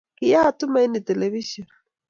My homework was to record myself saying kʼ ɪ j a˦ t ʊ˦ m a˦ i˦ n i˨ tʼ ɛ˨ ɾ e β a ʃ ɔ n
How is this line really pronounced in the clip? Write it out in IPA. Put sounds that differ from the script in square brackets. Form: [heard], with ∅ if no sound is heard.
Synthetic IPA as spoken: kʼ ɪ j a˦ t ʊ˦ m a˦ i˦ n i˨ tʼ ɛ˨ [l] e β [i] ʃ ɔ n